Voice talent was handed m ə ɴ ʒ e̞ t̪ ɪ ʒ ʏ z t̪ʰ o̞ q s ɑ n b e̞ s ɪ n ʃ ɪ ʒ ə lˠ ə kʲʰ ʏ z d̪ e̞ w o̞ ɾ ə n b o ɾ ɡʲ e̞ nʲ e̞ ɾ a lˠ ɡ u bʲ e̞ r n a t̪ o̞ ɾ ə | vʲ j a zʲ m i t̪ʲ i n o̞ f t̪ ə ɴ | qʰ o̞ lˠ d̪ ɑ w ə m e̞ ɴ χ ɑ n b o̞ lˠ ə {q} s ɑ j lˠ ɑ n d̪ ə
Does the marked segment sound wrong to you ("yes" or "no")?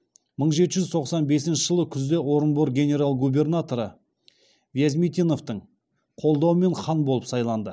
yes